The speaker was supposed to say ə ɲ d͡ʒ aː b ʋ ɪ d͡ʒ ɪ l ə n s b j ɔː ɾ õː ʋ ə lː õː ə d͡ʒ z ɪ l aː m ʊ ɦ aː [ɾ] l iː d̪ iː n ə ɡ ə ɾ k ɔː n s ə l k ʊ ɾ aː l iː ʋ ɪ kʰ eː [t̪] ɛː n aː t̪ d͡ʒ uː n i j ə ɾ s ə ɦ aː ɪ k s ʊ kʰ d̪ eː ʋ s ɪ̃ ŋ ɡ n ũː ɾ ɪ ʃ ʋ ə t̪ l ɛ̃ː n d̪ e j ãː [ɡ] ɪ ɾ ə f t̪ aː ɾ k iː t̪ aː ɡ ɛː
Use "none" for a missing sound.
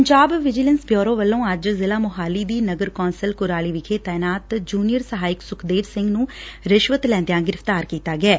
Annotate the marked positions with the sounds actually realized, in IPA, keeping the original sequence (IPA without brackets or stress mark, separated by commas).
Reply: none, t̪, ɡ